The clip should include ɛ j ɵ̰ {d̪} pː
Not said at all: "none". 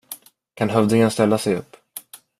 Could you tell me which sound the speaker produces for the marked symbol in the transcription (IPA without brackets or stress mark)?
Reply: none